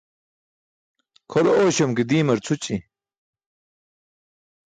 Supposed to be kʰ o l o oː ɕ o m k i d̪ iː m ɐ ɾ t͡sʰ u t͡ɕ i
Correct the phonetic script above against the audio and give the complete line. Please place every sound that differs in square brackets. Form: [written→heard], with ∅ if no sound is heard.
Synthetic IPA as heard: kʰ o l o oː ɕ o m k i d̪ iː m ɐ ɾ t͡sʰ u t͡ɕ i